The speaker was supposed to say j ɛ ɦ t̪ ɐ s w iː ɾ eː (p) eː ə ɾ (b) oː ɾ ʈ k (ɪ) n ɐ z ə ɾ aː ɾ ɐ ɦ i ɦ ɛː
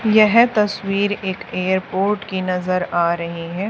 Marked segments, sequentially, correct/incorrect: incorrect, incorrect, incorrect

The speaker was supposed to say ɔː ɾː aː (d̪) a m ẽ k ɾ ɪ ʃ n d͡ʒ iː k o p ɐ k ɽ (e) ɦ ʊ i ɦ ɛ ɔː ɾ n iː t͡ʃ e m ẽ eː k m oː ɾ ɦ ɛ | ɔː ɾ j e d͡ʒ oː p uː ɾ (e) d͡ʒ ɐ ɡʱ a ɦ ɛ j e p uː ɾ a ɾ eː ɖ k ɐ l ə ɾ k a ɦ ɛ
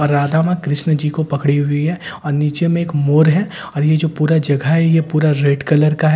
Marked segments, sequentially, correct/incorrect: correct, incorrect, incorrect

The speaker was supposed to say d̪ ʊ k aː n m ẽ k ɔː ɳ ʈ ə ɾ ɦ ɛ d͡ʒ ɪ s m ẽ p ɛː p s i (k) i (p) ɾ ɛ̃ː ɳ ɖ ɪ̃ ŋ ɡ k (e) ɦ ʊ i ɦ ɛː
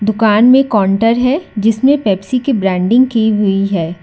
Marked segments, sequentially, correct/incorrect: correct, incorrect, incorrect

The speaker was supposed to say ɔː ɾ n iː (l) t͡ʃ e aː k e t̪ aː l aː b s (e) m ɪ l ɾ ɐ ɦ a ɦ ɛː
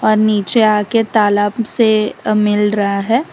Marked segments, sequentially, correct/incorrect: incorrect, correct

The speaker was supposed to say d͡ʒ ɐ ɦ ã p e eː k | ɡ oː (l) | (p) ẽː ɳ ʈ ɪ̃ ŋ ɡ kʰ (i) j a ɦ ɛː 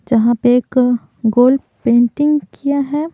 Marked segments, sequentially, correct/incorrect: correct, correct, correct

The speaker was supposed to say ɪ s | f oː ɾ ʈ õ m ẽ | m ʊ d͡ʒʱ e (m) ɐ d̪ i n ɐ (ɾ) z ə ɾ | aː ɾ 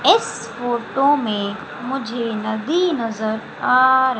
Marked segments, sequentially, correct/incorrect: incorrect, incorrect

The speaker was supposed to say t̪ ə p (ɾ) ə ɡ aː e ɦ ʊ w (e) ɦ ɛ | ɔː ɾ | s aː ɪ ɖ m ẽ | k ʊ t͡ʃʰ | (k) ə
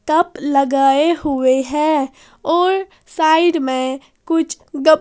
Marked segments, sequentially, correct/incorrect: incorrect, correct, incorrect

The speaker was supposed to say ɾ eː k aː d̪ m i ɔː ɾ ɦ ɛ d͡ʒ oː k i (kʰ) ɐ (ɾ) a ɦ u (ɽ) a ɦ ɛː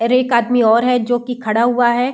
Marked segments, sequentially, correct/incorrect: correct, incorrect, incorrect

